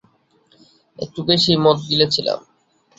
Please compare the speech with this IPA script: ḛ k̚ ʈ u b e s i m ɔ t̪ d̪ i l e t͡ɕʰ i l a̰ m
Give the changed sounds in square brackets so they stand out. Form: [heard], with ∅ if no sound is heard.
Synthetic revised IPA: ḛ k̚ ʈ u b e [ʃ] i m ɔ t̪ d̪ i l e t͡ɕʰ i l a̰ m